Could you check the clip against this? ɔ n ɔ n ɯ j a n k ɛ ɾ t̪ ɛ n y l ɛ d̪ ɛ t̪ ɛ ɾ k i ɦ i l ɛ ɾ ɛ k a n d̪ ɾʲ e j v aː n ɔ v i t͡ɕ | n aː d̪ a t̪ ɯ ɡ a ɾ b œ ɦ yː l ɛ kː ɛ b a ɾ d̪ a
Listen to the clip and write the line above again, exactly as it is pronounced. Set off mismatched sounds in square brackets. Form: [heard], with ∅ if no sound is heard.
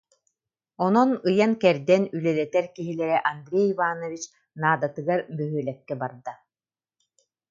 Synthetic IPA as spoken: ɔ n ɔ n ɯ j a n k ɛ ɾ [d̪] ɛ n y l ɛ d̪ ɛ t̪ ɛ ɾ k i ɦ i l ɛ ɾ ɛ [ʔ] a n d̪ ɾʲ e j v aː n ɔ v i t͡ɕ | n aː d̪ a t̪ ɯ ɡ a ɾ b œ ɦ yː l ɛ kː ɛ b a ɾ d̪ a